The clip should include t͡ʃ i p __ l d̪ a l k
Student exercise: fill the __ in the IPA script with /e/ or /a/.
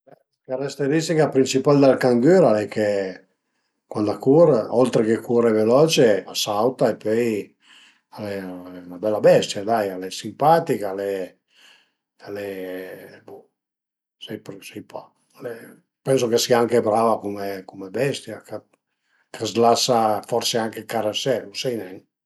a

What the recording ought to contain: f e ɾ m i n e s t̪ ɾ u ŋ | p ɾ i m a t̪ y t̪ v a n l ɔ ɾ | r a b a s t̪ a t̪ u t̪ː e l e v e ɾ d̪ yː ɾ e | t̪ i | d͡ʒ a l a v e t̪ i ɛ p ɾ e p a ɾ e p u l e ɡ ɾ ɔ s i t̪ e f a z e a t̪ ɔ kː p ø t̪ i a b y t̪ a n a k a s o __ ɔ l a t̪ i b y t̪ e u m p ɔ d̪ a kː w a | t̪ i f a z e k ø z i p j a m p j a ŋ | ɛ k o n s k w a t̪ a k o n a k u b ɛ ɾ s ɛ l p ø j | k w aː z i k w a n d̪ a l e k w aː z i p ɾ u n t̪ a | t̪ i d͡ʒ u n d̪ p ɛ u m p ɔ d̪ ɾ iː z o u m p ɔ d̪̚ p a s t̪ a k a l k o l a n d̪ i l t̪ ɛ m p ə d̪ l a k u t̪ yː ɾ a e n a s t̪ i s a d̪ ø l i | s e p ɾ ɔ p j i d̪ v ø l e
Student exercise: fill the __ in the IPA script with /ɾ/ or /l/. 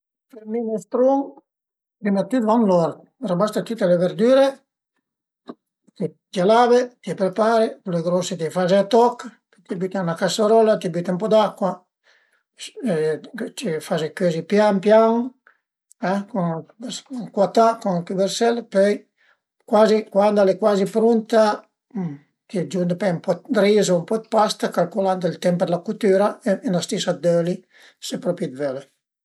ɾ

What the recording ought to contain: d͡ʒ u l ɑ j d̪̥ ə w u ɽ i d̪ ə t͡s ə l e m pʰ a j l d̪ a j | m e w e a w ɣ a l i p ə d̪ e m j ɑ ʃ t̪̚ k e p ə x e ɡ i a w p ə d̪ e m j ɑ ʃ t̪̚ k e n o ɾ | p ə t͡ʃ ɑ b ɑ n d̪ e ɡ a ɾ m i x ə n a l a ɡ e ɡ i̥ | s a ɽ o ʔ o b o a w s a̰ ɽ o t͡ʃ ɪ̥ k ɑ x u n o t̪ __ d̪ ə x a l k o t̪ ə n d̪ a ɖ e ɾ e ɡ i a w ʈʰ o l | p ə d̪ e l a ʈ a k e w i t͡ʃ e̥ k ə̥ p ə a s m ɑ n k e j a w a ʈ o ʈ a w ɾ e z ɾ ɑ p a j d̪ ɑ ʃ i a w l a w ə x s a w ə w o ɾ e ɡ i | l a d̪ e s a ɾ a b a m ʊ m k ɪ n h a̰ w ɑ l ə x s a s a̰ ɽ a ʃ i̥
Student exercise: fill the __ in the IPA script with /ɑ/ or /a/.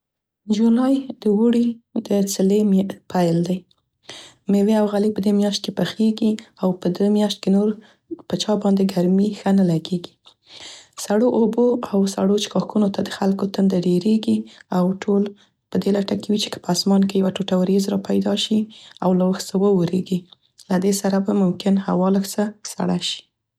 a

